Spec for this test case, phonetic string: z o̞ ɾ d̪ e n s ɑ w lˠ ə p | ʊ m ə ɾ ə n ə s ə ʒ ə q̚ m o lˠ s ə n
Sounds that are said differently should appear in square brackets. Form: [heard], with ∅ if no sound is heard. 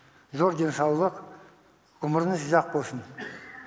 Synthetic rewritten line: z o̞ ɾ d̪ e n s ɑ w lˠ ə [q] | ʊ m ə ɾ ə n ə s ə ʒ [ɑ] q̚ [b] o lˠ s ə n